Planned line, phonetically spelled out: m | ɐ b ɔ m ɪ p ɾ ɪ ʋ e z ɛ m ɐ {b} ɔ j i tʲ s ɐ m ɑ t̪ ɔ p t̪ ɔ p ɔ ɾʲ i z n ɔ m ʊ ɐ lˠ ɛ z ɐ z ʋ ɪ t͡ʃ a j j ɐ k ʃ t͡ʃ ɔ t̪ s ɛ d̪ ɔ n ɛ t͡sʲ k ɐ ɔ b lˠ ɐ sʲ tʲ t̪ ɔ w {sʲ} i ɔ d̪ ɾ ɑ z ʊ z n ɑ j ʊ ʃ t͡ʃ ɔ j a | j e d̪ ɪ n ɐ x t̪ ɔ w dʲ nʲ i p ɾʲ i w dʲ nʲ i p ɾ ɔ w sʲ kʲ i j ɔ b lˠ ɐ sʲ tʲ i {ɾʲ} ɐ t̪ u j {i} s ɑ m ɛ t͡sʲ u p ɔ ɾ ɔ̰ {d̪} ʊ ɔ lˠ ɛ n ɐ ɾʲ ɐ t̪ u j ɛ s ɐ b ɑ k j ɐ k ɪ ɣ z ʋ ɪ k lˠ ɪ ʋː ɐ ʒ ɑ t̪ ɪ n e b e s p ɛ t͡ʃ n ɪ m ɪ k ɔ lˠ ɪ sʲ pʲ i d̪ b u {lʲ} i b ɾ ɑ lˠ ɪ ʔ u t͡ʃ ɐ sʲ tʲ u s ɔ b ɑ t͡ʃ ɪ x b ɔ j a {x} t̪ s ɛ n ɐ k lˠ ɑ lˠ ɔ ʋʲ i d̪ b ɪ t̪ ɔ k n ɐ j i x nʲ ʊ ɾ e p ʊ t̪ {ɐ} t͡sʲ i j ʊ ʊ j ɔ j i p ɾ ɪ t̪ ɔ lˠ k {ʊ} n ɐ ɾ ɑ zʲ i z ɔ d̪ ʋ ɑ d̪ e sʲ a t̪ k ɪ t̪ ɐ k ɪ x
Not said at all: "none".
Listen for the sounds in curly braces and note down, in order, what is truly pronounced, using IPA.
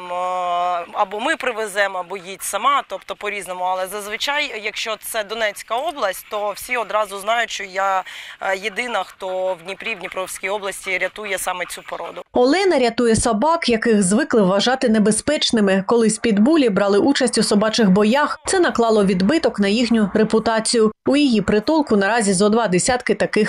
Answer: b, sʲ, ɾʲ, ɛ, d̪, lʲ, x, ɑ, ʊ

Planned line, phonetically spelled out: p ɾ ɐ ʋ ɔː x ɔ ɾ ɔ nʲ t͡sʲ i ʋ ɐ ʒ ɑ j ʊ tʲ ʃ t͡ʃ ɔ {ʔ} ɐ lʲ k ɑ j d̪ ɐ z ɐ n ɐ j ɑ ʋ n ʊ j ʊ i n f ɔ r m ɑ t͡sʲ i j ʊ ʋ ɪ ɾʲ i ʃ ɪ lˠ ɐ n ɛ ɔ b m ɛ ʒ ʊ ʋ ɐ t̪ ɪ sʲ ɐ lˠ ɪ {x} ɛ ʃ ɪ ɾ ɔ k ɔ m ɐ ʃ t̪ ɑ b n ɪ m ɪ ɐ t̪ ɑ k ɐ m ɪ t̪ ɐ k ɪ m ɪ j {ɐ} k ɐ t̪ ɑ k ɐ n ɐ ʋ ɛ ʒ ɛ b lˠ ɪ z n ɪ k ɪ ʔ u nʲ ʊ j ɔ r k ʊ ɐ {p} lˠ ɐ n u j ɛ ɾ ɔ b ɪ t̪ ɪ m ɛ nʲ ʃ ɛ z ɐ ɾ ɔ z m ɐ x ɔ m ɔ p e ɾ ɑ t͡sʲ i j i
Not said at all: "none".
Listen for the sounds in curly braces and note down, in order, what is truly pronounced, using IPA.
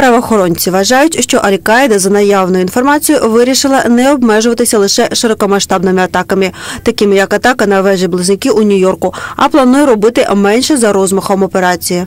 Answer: ʔ, ʃ, ɐ, p

